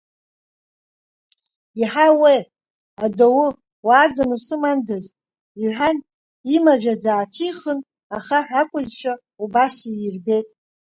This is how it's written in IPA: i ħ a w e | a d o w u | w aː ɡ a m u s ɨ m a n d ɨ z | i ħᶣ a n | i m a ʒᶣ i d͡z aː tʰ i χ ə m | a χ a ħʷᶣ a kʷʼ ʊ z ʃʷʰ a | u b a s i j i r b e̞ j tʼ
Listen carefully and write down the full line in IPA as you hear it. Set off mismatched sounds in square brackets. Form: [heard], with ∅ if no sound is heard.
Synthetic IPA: i ħ a w e | a d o w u | w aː ɡ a [n] u s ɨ m a n d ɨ z | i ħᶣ a n | i m a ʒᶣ [a] d͡z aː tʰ i χ ə [n] | a χ a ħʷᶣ a kʷʼ ʊ z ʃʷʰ a | u b a s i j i r b e̞ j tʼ